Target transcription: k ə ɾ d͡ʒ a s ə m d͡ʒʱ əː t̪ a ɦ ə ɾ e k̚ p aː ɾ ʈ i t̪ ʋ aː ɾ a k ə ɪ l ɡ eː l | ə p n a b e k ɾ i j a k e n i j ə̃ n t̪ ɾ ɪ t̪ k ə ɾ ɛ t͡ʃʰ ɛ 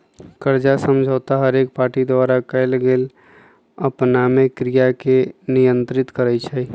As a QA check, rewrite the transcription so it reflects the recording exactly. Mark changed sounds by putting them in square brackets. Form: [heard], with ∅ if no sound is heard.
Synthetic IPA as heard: k ə ɾ d͡ʒ a s ə m d͡ʒʱ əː t̪ a ɦ ə ɾ e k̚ p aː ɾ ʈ i [d̪] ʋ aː ɾ a k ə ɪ l ɡ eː l | ə p n a [m] e k ɾ i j a k e n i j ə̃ n t̪ ɾ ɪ t̪ k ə ɾ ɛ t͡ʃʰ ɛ